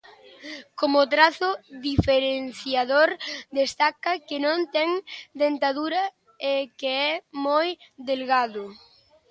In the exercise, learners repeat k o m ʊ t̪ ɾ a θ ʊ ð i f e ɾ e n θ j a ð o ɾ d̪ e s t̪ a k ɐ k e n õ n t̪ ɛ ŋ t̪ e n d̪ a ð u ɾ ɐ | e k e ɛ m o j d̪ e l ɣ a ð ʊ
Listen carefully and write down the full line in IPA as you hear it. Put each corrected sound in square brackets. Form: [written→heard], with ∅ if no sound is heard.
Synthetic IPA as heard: k o m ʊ t̪ ɾ a θ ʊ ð i f e ɾ e n θ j a ð o ɾ d̪ e s t̪ a k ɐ k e n õ n t̪ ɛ ŋ [t̪→d̪] e n [d̪→t̪] a ð u ɾ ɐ | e k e ɛ m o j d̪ e l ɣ a ð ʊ

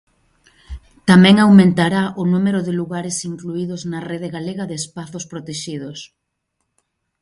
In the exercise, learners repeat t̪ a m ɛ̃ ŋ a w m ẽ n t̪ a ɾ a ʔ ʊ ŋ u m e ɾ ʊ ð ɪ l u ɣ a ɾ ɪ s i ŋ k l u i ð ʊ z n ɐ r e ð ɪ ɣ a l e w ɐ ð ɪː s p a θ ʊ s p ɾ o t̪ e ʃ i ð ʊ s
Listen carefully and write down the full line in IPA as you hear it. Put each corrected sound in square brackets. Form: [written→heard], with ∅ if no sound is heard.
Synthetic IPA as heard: t̪ a m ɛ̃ ŋ a w m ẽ n t̪ a ɾ a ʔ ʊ [ŋ→n] u m e ɾ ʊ ð ɪ l u ɣ a ɾ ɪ s i ŋ k l u i ð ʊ z n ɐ r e ð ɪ ɣ a l e [w→ɣ] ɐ ð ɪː s p a θ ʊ s p ɾ o t̪ e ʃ i ð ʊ s

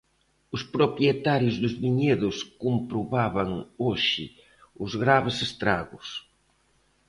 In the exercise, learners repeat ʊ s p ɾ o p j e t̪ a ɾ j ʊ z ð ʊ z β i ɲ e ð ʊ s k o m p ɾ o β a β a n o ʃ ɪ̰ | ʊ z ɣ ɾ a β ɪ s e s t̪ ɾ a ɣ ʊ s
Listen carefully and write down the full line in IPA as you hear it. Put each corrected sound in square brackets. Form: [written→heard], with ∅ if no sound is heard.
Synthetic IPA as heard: ʊ s p ɾ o p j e t̪ a ɾ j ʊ z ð ʊ z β i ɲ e ð ʊ s k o m p ɾ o β a β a [n→ŋ] o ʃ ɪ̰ | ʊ z ɣ ɾ a β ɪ s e s t̪ ɾ a ɣ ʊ s

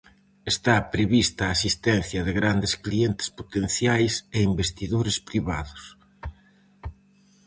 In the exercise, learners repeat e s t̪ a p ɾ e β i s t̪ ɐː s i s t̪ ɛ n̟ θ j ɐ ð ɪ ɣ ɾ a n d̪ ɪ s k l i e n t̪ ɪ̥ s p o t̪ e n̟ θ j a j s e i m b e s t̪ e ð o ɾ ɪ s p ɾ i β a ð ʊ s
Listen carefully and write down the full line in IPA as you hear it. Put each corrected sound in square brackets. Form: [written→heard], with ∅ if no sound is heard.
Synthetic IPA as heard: e s t̪ a p ɾ e β i s t̪ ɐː s i s t̪ ɛ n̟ θ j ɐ ð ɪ ɣ ɾ a n d̪ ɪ s k l i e n t̪ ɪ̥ s p o t̪ e n̟ θ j a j s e i m b e s t̪ [e→i] ð o ɾ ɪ s p ɾ i β a ð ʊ s

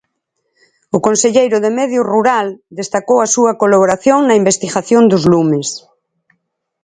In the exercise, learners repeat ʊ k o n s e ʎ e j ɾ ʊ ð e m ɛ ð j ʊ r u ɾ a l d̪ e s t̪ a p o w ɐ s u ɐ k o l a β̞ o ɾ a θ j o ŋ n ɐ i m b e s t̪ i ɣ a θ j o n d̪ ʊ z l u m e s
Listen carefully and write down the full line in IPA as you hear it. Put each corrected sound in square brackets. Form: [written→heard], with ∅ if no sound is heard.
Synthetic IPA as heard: ʊ k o n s e ʎ e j ɾ ʊ ð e m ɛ ð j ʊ r u ɾ a l d̪ e s t̪ a [p→k] o w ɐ s u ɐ k o l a β̞ o ɾ a θ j o ŋ n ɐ i m b e s t̪ i ɣ a θ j o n d̪ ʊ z l u m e s

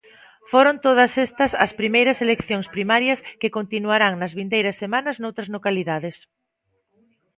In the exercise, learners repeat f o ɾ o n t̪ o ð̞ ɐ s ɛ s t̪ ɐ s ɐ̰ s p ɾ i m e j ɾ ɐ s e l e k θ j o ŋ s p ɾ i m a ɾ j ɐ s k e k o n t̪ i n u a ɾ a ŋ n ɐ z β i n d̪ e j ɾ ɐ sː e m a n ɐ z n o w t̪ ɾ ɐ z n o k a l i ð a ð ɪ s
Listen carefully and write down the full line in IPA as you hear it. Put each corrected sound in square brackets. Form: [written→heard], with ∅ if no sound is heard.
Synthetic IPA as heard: f o ɾ o n t̪ o ð̞ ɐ s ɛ s t̪ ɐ s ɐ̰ s p ɾ i m e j ɾ ɐ s e l e k θ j o ŋ s p ɾ i m a ɾ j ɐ s k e k o n t̪ i n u a ɾ a ŋ n ɐ z β i n d̪ e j ɾ ɐ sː e m a n ɐ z n o w t̪ ɾ ɐ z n o k a l i ð a ð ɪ s

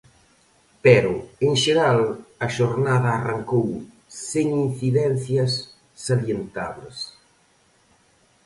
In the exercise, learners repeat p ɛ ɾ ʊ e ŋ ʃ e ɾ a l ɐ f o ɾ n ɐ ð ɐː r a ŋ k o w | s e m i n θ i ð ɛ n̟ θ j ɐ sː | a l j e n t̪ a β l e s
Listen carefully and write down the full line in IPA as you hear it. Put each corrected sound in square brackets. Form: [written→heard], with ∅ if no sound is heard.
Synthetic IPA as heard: p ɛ ɾ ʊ e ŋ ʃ e ɾ a l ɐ [f→ʃ] o ɾ n [ɐ→a] ð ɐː r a ŋ k o w | s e [m→ŋ] i n θ i ð ɛ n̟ θ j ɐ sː | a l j e n t̪ a β l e s

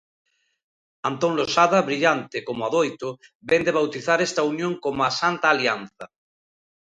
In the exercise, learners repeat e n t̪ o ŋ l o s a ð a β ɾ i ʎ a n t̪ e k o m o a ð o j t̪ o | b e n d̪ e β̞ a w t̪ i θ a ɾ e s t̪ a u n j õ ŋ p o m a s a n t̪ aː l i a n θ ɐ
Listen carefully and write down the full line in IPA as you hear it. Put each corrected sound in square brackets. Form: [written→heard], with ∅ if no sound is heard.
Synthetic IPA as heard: [e→a] n t̪ o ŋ l o s a ð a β ɾ i ʎ a n t̪ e k o m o a ð o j t̪ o | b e n d̪ e β̞ a w t̪ i θ a ɾ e s t̪ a u n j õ ŋ [p→k] o m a s a n t̪ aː l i a n θ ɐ

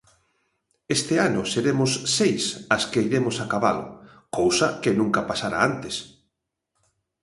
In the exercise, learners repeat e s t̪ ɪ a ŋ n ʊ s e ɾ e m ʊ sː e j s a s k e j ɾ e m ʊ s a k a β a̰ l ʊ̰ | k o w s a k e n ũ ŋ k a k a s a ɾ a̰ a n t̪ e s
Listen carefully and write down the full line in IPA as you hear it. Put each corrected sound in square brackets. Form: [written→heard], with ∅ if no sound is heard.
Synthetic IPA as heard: e s t̪ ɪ a [ŋ→∅] n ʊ s e ɾ e m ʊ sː e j s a s k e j ɾ e m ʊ s a k a β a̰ l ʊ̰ | k o w s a k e n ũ ŋ k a [k→p] a s a ɾ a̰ a n t̪ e s

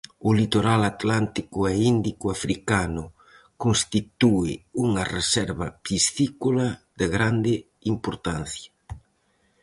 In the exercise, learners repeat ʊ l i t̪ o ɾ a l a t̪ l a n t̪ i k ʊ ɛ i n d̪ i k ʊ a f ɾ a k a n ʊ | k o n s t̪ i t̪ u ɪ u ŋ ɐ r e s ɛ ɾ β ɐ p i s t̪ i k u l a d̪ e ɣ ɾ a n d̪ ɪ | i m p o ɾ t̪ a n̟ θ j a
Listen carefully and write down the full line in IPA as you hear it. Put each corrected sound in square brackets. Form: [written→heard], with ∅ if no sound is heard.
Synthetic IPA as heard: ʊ l i t̪ o ɾ a l a t̪ l a n t̪ i k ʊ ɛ i n d̪ i k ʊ a f ɾ [a→i] k a n ʊ | k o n s t̪ i t̪ u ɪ u ŋ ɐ r e s ɛ ɾ β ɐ p i s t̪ i k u l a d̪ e ɣ ɾ a n d̪ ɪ | i m p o ɾ t̪ a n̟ θ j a

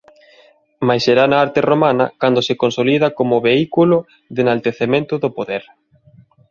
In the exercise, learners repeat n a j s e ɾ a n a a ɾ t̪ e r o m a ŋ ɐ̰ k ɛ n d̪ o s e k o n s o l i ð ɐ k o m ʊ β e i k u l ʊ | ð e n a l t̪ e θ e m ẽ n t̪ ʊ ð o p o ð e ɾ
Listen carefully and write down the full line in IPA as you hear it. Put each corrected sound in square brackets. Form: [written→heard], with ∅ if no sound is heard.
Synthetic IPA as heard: [n→m] a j s e ɾ a n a a ɾ t̪ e r o m a [ŋ→n] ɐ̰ k [ɛ→a] n d̪ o s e k o n s o l i ð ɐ k o m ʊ β e i k u l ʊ | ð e n a l t̪ e θ e m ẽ n t̪ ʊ ð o p o ð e ɾ

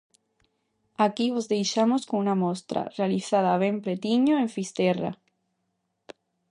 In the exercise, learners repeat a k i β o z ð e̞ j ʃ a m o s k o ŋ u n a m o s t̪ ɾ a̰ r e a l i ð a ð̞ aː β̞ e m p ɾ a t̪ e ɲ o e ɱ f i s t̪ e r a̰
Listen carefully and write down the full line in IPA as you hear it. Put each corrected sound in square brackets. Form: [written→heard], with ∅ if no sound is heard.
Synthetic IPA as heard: a k i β o z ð e̞ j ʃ a m o s k o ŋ u n a m o s t̪ ɾ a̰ r e a l i [ð→θ] a ð̞ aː β̞ e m p ɾ [a→e] t̪ [e→i] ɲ o e ɱ f i s t̪ e r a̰

